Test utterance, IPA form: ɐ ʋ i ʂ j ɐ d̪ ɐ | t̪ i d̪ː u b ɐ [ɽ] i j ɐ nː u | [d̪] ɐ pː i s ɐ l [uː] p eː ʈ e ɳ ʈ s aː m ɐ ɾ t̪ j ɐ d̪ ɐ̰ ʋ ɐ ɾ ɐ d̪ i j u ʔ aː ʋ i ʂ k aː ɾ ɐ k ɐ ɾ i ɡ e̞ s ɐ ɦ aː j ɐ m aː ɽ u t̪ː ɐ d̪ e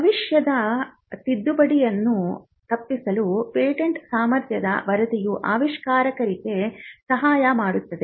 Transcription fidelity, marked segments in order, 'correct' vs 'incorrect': correct, incorrect, incorrect

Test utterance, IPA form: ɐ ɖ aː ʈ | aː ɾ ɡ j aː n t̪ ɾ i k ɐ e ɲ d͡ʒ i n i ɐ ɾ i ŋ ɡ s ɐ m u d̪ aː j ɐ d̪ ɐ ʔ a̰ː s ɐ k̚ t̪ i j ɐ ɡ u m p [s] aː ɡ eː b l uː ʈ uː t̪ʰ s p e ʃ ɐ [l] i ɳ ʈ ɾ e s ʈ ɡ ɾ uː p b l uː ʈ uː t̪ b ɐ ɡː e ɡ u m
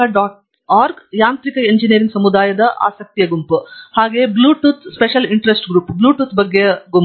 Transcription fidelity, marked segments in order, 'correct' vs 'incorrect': incorrect, correct

